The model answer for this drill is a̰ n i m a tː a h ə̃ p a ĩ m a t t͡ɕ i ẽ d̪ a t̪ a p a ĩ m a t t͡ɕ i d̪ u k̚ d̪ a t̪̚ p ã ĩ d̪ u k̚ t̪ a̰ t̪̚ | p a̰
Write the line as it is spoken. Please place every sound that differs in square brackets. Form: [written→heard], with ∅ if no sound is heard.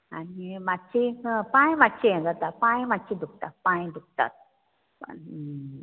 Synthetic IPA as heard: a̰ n i m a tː [a→i] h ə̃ p a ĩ m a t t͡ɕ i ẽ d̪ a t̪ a p a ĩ m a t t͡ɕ i d̪ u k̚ [d̪→t̪] a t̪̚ p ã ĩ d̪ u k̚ t̪ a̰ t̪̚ | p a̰

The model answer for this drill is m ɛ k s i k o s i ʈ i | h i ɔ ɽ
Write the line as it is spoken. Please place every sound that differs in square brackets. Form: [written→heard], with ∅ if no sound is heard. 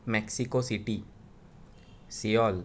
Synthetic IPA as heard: m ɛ k s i k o s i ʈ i | [h→s] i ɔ [ɽ→l]

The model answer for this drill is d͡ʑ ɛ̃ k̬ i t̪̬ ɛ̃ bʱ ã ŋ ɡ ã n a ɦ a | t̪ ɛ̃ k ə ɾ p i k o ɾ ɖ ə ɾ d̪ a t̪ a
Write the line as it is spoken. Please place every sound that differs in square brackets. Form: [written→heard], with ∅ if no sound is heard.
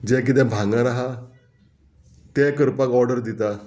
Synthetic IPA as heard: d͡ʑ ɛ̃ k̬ i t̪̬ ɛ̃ bʱ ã ŋ ɡ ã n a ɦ a | t̪ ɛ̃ k ə ɾ p [i→a] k [o→ɔ] ɾ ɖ ə ɾ d̪ [a→i] t̪ a

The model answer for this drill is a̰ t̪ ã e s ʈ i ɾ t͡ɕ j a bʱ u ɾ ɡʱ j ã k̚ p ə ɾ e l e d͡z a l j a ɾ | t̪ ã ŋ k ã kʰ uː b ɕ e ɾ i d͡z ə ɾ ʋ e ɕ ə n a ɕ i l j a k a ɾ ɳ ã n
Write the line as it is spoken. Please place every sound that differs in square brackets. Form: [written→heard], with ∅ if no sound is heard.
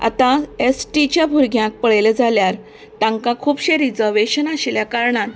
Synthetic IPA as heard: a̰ t̪ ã e s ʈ i [ɾ→∅] t͡ɕ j a bʱ u ɾ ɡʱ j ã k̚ p ə [ɾ→ɭ] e l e d͡z a l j a ɾ | t̪ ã ŋ k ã kʰ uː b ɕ e ɾ i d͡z ə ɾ ʋ e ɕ ə n a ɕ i l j a k a ɾ ɳ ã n

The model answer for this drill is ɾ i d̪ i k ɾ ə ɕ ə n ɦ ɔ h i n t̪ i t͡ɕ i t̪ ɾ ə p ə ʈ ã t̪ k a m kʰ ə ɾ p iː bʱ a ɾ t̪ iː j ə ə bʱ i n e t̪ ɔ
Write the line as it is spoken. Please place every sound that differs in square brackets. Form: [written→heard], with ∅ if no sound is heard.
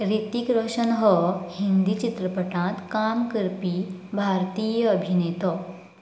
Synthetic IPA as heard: ɾ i [d̪→t̪] i k ɾ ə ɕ ə n ɦ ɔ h i n [t̪→d̪] i t͡ɕ i t̪ ɾ ə p ə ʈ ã t̪ k a m [kʰ→k] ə ɾ p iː bʱ a ɾ t̪ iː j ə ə bʱ i n e t̪ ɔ

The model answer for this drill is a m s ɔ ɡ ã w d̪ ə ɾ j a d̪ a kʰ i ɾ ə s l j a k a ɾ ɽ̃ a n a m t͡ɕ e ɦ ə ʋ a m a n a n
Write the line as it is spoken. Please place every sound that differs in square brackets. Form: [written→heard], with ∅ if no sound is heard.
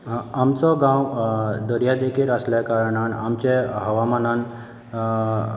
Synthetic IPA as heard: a m [s→t͡s] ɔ ɡ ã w d̪ ə ɾ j a d̪ [a→e] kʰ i ɾ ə s l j a k a ɾ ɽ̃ a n a m t͡ɕ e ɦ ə ʋ a m a n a n

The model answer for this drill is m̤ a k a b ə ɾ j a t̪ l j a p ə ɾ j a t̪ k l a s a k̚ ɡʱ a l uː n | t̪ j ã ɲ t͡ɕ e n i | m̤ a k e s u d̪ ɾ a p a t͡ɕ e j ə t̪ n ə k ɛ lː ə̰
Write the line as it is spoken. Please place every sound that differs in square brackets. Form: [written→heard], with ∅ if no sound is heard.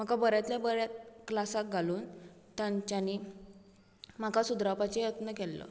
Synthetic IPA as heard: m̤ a k a b ə ɾ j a t̪ l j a [p→b] ə ɾ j a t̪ k l a s a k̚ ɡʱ a l uː n | t̪ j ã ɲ t͡ɕ [e→a] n i | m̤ a k [e→a] s u d̪ ɾ a p a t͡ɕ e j ə t̪ n ə k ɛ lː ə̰

